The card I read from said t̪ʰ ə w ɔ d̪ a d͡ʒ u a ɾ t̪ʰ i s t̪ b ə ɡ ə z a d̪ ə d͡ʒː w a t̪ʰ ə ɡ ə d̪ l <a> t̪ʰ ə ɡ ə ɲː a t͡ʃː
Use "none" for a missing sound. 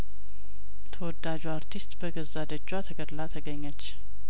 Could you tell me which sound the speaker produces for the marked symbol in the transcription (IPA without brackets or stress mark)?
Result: a